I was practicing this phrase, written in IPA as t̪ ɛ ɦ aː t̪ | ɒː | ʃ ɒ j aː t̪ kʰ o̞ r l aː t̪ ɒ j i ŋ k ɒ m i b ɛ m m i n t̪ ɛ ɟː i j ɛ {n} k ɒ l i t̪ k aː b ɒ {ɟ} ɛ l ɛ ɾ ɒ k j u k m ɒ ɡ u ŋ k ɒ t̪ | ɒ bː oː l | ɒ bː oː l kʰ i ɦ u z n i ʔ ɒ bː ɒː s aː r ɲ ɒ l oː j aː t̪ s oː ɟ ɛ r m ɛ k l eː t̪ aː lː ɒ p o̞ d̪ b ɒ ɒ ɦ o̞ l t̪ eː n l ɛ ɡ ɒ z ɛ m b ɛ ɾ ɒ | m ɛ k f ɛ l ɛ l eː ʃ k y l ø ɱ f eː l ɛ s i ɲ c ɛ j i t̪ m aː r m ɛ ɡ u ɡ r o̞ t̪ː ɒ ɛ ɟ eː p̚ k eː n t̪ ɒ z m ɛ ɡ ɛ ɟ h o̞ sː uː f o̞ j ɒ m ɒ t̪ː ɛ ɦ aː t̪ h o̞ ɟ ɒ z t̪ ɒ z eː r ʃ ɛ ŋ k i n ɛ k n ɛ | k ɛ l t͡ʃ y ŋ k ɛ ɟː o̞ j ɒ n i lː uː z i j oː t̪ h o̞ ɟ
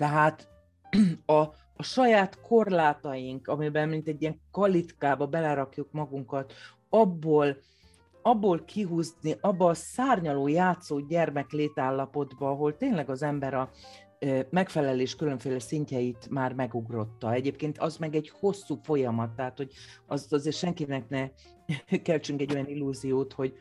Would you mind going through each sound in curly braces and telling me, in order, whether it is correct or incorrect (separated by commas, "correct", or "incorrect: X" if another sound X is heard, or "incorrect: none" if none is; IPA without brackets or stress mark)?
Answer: incorrect: ŋ, incorrect: b